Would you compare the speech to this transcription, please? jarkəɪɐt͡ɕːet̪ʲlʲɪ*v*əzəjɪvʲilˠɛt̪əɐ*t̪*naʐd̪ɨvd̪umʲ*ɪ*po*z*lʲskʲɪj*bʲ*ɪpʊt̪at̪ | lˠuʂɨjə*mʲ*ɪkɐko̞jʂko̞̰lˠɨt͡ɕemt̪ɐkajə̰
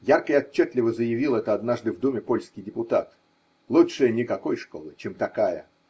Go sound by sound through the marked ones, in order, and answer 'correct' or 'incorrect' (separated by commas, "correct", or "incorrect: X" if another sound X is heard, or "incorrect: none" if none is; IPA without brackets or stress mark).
correct, incorrect: d̪, correct, incorrect: none, incorrect: dʲ, incorrect: nʲ